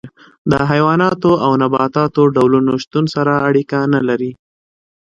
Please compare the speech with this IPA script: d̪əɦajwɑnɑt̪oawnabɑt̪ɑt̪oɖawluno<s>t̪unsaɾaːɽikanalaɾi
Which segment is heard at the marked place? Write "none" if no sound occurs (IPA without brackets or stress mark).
ʃ